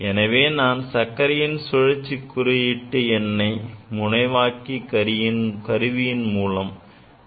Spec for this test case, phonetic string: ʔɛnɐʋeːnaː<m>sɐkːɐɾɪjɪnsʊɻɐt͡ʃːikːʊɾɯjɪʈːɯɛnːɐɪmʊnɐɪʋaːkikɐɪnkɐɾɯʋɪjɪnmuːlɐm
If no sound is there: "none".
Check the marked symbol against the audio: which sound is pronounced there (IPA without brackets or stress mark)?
n